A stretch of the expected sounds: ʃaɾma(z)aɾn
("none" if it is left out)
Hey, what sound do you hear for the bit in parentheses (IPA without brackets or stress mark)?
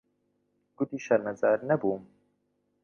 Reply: z